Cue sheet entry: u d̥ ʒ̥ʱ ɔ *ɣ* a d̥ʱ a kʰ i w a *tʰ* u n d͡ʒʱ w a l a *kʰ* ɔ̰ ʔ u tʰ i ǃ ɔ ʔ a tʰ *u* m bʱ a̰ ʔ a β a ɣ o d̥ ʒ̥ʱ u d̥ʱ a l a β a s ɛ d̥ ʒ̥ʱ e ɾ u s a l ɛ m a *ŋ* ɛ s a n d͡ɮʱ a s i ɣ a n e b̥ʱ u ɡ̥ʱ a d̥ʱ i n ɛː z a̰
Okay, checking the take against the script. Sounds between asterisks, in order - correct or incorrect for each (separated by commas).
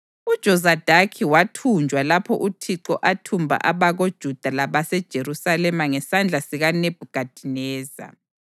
incorrect, correct, incorrect, correct, correct